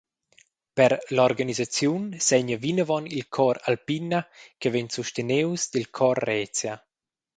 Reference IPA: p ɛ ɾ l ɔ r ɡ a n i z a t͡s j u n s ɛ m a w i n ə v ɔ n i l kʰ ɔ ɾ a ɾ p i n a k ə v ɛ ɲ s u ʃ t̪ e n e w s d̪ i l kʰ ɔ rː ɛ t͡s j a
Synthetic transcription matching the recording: p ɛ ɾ l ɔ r ɡ a n i z a t͡s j u n s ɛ ɲ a v i n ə v ɔ n i l kʰ ɔ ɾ a l p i n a k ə v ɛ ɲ s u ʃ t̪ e n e w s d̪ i l kʰ ɔ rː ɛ t͡s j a